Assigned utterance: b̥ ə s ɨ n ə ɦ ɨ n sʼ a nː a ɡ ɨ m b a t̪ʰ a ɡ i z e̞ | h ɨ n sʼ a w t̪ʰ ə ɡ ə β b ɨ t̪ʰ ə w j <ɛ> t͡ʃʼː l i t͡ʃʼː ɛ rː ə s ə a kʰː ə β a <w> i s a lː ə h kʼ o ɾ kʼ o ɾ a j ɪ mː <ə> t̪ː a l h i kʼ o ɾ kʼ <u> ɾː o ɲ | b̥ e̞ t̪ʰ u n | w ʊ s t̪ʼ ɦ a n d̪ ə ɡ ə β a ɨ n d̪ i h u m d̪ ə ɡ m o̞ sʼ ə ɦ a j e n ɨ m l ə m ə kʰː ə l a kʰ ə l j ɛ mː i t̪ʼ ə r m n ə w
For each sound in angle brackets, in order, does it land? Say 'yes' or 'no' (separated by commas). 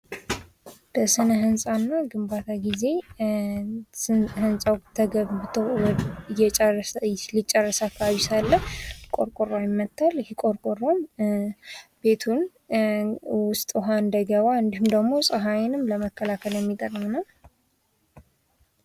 yes, no, yes, no